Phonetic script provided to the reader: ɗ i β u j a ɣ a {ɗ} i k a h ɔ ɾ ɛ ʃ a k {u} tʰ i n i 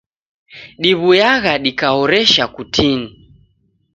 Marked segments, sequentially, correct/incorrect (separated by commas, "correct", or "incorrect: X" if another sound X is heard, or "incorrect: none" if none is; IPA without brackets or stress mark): correct, correct